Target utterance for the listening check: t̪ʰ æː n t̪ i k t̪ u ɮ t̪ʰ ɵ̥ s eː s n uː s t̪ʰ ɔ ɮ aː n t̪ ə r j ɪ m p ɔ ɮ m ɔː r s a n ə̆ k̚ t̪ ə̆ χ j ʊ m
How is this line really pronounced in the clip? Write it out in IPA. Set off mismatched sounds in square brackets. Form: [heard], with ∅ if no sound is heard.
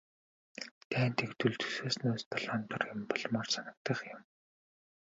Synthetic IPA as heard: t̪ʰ æː n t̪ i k t̪ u ɮ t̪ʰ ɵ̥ s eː s n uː s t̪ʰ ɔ ɮ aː n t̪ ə r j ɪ m p ɔ ɮ m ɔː r s a n ə̆ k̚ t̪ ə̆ χ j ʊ m